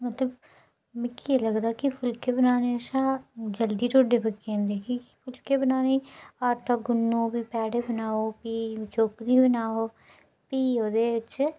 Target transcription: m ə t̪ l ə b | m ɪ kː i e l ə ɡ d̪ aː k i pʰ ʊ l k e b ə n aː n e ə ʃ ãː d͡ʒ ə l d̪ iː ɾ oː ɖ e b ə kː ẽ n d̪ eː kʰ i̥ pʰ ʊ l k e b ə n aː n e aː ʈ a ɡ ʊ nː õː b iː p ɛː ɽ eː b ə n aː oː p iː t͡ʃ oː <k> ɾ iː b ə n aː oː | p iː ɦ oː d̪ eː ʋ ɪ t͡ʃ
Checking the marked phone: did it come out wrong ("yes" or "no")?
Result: no